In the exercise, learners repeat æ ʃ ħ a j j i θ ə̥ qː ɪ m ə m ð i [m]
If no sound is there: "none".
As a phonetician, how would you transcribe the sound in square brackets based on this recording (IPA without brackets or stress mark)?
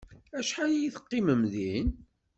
n